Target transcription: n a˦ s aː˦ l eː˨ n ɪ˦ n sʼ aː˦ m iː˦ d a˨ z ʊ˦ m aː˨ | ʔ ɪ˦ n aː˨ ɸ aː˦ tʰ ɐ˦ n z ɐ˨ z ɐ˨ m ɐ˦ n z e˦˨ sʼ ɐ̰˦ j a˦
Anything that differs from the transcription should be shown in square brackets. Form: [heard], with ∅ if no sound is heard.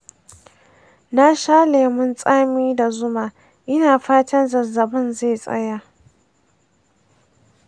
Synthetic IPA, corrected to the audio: n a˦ [ʃ] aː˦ l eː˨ [m] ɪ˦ n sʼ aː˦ m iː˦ d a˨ z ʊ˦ m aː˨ | ʔ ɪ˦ n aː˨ ɸ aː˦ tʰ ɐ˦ n z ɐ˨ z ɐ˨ [b] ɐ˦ n z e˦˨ sʼ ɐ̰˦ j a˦

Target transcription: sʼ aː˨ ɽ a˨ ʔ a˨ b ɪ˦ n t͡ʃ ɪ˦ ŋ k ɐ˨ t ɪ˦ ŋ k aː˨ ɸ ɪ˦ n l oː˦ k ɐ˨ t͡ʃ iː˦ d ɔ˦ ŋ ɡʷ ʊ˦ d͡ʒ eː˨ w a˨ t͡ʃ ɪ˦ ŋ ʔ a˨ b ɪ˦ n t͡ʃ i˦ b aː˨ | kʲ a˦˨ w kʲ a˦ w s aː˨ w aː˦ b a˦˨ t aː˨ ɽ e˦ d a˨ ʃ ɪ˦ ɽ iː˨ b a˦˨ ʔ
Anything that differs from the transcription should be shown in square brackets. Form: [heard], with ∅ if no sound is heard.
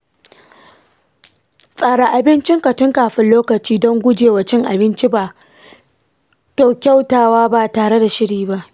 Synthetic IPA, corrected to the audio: sʼ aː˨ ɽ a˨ ʔ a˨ b ɪ˦ n t͡ʃ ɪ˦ ŋ k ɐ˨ t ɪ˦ ŋ k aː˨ ɸ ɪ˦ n l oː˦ k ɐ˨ t͡ʃ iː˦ d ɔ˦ ŋ ɡʷ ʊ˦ d͡ʒ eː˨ w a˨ t͡ʃ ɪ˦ ŋ ʔ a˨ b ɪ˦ n t͡ʃ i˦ b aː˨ | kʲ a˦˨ w kʲ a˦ w [t] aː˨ w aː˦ b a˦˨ t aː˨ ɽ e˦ d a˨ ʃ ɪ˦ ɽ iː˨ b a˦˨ ʔ

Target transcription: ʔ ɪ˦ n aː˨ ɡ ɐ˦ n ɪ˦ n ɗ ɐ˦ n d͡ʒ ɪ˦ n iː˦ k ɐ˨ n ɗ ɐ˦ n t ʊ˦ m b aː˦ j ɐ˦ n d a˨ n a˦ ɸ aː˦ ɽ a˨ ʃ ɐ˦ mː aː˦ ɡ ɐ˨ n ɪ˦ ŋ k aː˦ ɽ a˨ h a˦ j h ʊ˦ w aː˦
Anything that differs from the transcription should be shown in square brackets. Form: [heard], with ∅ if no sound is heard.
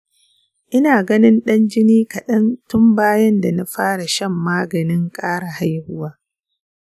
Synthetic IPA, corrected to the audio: ʔ ɪ˦ n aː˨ ɡ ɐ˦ n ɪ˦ n ɗ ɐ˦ n d͡ʒ ɪ˦ n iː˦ k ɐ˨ [∅] ɗ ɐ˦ n t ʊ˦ m b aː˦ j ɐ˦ n d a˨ n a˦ ɸ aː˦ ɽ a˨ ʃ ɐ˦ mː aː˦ ɡ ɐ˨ n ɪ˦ ŋ [kʼ] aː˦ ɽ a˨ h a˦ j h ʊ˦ w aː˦

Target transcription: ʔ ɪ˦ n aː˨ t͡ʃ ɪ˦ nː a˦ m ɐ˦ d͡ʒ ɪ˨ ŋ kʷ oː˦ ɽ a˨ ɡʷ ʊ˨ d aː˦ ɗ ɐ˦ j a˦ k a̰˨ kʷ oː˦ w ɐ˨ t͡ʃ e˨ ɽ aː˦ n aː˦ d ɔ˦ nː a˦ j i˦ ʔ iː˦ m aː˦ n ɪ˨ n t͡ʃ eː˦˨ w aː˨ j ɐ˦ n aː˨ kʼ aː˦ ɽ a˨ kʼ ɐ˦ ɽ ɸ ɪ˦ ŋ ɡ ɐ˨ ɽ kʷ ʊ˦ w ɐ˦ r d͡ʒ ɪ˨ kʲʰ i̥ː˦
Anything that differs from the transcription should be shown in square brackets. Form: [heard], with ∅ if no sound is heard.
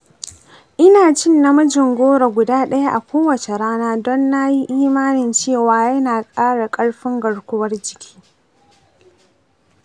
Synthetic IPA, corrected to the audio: ʔ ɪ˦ n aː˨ t͡ʃ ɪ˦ nː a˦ m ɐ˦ d͡ʒ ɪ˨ ŋ [ɡʷ] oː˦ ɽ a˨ ɡʷ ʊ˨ d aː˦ ɗ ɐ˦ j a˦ [ʔ] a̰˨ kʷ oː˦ w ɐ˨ t͡ʃ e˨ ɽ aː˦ n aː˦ d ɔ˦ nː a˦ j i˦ ʔ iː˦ m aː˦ n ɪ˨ n t͡ʃ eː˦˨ w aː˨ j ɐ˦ n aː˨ kʼ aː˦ ɽ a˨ kʼ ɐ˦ ɽ ɸ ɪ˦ ŋ ɡ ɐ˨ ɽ kʷ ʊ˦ w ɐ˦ r d͡ʒ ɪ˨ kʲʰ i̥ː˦

